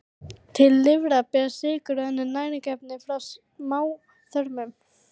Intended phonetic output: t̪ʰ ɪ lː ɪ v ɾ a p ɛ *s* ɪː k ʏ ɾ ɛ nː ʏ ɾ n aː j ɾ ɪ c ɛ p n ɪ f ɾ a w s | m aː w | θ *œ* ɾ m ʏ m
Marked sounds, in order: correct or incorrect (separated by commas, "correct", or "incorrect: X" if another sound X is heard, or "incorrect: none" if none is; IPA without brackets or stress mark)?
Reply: correct, correct